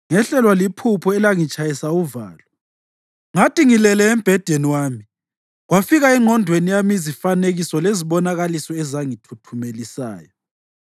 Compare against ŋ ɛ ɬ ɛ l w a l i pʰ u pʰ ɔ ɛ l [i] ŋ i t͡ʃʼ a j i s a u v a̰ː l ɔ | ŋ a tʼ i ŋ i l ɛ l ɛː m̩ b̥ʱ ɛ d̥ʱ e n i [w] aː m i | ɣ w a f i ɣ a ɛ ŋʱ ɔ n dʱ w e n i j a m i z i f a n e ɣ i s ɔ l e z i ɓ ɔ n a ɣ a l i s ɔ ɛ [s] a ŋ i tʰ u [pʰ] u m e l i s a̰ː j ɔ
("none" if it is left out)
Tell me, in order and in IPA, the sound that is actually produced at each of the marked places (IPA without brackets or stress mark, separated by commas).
a, w, z, tʰ